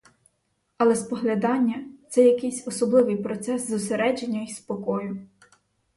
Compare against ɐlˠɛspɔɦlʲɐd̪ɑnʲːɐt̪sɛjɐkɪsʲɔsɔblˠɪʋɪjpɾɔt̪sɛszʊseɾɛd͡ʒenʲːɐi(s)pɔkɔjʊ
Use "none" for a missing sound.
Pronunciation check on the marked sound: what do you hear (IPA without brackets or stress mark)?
s